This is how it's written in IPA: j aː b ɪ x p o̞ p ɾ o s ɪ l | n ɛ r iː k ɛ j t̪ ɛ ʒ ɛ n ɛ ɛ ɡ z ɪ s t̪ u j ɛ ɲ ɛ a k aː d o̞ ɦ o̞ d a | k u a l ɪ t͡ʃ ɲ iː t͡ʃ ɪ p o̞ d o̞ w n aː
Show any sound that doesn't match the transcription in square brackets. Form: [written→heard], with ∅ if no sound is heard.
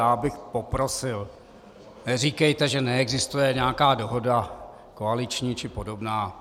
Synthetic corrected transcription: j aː b ɪ x p o̞ p ɾ o s ɪ l | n ɛ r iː k ɛ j t̪ ɛ ʒ ɛ n ɛ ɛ ɡ z ɪ s t̪ u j ɛ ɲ ɛ a k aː d o̞ ɦ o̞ d a | k [u→o] a l ɪ t͡ʃ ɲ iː t͡ʃ ɪ p o̞ d o̞ [w→b] n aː